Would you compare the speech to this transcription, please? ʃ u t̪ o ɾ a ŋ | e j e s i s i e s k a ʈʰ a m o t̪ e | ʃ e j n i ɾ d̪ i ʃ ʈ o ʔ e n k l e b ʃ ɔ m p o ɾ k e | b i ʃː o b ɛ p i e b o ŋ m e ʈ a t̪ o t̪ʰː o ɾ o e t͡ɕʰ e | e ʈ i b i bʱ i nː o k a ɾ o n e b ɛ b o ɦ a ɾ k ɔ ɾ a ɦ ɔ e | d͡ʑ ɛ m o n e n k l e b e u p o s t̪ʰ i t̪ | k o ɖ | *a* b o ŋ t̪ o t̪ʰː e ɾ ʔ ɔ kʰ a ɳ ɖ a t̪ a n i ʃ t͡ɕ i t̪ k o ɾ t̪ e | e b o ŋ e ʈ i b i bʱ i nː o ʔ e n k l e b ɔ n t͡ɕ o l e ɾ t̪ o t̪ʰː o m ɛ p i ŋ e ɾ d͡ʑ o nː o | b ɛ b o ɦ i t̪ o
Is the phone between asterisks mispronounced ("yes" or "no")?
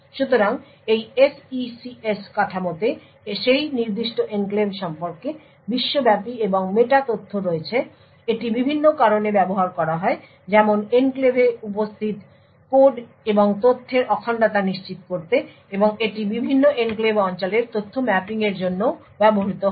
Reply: yes